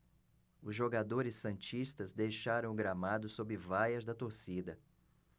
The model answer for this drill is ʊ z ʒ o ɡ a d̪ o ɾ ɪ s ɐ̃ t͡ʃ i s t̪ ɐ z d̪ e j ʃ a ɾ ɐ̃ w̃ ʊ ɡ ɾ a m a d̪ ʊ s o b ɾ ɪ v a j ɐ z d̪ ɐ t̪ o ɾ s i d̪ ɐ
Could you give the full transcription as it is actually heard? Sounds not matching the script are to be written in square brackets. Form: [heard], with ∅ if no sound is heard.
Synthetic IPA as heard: ʊ z ʒ o ɡ a d̪ o ɾ ɪ s ɐ̃ t͡ʃ i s t̪ ɐ z d̪ e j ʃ a ɾ ɐ̃ w̃ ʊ ɡ ɾ a m a d̪ ʊ s o b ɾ ɪ v a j ɐ z d̪ ɐ t̪ o ɾ s i d̪ ɐ